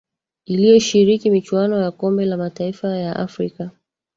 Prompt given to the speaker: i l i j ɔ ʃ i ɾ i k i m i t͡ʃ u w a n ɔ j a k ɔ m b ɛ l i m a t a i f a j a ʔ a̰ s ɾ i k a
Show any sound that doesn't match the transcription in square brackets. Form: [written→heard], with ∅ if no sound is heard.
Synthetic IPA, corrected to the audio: i l i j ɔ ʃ i ɾ i k i m i t͡ʃ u w a n ɔ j a k ɔ m b ɛ l [i→a] m a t a i f a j a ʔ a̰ [s→f] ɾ i k a